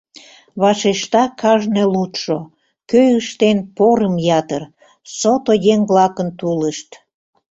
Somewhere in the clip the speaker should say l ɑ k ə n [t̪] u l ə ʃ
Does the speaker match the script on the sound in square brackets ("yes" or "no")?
yes